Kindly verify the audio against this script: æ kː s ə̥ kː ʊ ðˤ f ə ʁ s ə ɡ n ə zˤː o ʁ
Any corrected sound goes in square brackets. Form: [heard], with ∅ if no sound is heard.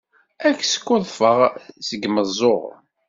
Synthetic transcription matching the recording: æ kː s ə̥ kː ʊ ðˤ f ə ʁ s ə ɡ [m] ə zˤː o ʁ